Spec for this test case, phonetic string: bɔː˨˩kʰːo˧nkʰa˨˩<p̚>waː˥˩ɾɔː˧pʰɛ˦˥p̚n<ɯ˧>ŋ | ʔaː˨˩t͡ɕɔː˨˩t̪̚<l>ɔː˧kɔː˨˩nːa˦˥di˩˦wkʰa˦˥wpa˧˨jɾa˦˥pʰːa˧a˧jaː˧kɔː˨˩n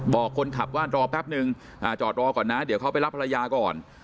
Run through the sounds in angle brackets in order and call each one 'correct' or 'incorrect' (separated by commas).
correct, correct, incorrect